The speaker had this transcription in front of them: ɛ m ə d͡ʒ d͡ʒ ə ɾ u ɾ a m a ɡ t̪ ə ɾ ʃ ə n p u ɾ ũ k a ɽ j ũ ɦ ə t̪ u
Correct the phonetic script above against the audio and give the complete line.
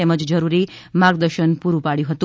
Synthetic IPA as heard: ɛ m ə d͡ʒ d͡ʒ ə ɾ u ɾ i m a ɡ d̪ ə ɾ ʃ ə n p u ɾ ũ p a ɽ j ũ ɦ ə t̪ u